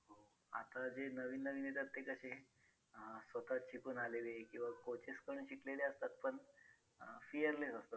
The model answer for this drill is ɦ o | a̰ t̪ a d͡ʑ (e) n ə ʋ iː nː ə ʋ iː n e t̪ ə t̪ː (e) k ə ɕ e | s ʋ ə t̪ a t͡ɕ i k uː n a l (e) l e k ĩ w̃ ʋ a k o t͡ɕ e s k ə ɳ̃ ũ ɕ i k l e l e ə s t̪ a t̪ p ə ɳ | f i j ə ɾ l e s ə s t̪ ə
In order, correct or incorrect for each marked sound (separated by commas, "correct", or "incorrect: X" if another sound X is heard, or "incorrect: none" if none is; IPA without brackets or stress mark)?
correct, correct, correct